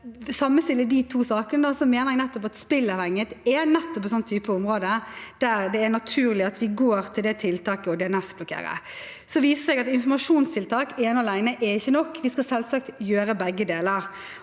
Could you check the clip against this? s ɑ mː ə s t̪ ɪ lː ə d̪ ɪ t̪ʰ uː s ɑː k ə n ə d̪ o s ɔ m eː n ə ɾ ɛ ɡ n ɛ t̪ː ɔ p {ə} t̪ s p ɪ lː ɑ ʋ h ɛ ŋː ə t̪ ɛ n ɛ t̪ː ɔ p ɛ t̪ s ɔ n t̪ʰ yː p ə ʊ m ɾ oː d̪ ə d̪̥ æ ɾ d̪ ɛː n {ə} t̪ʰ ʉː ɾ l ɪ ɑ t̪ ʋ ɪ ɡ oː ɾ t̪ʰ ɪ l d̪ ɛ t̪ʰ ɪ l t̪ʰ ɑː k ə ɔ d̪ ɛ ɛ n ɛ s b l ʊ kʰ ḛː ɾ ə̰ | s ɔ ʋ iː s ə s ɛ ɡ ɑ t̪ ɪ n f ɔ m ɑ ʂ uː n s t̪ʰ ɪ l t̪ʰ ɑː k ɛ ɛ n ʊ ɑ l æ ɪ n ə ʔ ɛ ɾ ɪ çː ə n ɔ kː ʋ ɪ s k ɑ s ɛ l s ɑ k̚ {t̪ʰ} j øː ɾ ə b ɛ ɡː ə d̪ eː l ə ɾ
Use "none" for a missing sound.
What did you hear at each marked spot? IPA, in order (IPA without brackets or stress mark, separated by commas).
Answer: ɑ, ɑ, t̪